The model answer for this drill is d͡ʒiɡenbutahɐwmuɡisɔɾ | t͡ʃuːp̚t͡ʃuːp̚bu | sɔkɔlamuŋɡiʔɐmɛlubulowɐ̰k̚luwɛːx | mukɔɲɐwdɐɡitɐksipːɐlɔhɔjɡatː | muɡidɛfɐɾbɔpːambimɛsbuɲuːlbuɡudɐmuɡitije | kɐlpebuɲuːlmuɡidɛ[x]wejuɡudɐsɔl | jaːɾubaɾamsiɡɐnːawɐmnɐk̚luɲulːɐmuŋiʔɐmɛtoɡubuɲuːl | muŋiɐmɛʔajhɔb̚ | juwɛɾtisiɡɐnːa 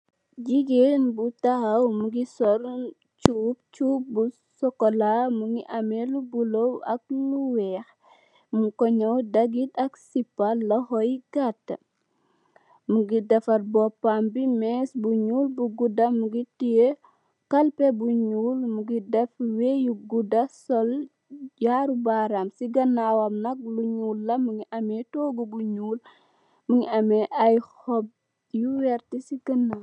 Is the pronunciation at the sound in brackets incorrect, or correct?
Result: incorrect